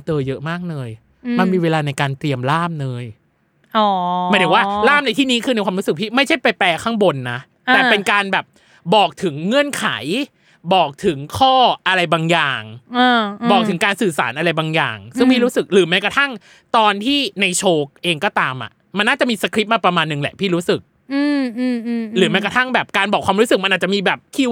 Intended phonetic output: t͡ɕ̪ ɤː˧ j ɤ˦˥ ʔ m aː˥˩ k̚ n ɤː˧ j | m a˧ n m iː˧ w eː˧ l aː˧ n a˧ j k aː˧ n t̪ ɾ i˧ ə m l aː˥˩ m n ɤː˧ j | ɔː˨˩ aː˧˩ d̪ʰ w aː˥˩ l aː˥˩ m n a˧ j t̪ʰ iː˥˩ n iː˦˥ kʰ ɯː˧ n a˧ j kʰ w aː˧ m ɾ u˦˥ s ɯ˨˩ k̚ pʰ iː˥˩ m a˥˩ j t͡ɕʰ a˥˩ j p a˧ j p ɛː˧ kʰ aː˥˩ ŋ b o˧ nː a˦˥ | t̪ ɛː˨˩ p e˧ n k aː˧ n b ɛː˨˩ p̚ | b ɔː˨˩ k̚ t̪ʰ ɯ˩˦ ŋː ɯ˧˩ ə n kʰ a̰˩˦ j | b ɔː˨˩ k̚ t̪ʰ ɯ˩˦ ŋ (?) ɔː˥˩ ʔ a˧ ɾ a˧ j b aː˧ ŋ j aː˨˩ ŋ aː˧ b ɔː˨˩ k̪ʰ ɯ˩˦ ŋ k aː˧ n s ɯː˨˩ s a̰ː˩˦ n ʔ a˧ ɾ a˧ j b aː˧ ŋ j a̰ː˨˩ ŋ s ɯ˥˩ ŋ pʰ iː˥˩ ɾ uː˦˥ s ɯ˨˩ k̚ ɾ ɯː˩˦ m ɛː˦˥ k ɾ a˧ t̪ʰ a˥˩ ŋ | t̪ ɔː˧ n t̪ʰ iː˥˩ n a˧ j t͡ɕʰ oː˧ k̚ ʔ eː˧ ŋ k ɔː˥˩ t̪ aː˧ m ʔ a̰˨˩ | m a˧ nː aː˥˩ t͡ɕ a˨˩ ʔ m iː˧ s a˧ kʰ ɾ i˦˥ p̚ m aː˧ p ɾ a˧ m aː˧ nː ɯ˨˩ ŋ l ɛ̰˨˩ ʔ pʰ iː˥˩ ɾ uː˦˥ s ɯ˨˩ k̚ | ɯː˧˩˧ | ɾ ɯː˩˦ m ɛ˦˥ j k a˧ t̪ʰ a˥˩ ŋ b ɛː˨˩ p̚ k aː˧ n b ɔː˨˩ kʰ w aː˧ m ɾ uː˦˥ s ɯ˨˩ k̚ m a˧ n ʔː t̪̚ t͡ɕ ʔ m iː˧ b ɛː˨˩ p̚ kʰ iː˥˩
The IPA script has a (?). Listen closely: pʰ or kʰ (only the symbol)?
kʰ